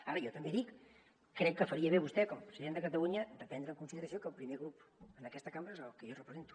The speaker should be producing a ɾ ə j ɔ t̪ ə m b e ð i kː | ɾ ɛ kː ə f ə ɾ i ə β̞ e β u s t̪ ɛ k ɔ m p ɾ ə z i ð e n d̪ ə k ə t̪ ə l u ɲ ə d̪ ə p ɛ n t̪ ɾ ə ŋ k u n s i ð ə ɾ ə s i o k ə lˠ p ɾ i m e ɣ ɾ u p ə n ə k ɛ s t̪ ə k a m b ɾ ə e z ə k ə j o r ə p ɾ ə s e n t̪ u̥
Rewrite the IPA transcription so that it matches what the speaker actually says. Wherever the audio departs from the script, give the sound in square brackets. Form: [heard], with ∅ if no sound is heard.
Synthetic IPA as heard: a ɾ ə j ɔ t̪ ə m b e ð i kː | ɾ ɛ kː ə f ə ɾ i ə β̞ e β u s t̪ ɛ k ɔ m p ɾ ə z i ð e n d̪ ə k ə t̪ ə l u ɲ ə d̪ ə p ɛ n [d̪] ɾ ə ŋ k u n s i ð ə ɾ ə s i o k ə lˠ p ɾ i m e ɣ ɾ u p ə n ə k ɛ s t̪ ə k a m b ɾ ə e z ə k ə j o r ə p ɾ ə [z] e n t̪ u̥